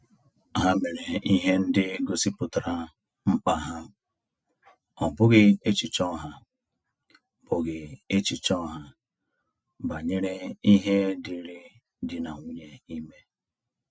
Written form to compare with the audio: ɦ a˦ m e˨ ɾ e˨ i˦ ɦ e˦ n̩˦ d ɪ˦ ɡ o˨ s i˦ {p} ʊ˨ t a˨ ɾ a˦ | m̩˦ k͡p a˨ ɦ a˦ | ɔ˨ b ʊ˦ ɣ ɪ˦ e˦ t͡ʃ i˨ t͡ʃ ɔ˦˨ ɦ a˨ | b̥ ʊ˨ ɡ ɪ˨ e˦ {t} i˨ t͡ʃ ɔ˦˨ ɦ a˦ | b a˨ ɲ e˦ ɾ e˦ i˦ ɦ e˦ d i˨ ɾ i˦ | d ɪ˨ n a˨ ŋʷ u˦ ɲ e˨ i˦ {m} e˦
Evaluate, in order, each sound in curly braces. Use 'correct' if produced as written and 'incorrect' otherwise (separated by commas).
correct, incorrect, correct